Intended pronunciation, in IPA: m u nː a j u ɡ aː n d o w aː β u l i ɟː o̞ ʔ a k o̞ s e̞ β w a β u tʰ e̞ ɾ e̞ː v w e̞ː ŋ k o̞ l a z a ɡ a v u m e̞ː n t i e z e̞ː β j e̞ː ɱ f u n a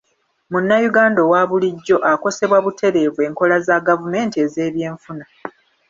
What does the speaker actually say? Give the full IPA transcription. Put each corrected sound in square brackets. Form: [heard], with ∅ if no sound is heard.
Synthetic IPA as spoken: m u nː a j u ɡ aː n d o w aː β u l i ɟː o̞ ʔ a k o̞ s e̞ β w a β u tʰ e̞ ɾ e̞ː v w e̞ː ŋ k o̞ l a z a ɡ a v u m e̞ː n t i e z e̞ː β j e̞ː ɱ f u n a